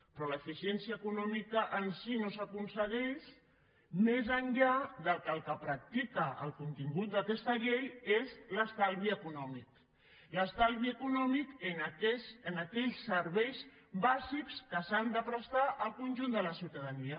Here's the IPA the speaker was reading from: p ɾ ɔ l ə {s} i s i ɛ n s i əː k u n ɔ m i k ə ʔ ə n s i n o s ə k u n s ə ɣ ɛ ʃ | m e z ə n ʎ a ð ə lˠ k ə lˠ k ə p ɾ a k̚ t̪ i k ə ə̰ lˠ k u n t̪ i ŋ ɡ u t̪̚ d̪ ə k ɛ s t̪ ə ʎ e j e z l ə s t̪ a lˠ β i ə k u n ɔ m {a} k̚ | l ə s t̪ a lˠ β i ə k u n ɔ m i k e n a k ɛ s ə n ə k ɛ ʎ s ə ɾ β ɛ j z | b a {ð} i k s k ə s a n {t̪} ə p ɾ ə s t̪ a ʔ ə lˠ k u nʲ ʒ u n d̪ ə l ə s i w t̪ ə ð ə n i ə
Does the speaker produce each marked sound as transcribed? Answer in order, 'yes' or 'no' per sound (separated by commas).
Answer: no, no, no, no